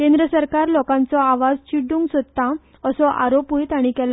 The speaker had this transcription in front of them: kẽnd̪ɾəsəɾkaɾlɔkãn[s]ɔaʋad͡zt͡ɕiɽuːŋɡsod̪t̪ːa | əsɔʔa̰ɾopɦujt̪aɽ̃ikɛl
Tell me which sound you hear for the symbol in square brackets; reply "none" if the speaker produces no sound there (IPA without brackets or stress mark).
t͡s